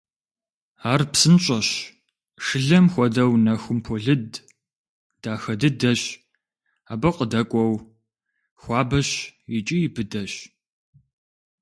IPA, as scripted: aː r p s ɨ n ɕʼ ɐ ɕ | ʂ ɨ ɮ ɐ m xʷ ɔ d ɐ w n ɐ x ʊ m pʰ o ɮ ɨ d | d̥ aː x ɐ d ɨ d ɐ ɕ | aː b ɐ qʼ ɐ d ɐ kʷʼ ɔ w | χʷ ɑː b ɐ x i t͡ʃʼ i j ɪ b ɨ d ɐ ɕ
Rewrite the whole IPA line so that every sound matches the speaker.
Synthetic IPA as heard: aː r p s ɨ n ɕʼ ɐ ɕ | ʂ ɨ ɮ ɐ m xʷ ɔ d ɐ w n ɐ x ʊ m pʰ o ɮ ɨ d | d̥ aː x ɐ d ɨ d ɐ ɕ | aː b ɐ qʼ ə d ɐ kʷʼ ɔ w | xʷ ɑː b ɐ ɕ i t͡ʃʼ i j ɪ b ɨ d ɐ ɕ